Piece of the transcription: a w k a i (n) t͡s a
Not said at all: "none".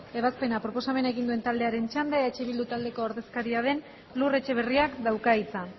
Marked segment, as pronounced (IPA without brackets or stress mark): none